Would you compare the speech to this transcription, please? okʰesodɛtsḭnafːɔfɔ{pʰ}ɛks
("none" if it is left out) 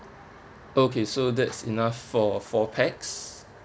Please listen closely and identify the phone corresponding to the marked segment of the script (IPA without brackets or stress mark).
pʰ